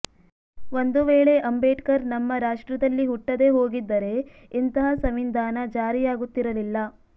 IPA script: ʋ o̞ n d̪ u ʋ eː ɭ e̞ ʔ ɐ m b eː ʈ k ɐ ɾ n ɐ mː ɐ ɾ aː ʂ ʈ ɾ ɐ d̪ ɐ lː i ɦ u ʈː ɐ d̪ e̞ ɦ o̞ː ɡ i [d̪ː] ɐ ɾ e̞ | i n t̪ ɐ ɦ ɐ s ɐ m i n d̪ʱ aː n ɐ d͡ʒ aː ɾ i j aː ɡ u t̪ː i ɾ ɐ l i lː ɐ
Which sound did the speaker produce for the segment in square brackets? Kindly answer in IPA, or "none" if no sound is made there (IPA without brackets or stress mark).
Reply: d̪ː